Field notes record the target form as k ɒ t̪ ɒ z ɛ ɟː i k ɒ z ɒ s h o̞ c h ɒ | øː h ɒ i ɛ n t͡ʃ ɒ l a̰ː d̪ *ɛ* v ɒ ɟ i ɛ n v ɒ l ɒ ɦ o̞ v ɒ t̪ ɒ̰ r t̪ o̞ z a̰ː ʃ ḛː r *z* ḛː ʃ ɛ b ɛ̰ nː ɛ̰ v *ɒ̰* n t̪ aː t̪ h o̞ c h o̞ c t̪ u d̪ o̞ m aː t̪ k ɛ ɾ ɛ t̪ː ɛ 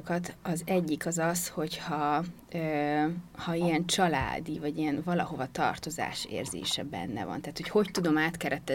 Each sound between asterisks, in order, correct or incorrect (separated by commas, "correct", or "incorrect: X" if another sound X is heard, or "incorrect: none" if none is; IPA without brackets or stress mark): incorrect: i, correct, correct